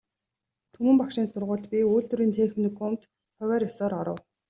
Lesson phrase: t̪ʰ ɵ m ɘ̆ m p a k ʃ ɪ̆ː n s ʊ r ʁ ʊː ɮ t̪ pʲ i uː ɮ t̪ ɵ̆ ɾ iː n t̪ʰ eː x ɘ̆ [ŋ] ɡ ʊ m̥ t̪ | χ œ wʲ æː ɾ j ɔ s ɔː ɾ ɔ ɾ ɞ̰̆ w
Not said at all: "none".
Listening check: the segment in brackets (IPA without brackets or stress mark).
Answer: n